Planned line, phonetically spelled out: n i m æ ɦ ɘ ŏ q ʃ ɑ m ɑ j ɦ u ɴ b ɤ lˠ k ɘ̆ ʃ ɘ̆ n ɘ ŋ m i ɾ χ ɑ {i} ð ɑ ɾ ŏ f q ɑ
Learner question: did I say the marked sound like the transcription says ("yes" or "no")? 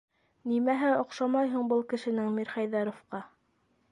no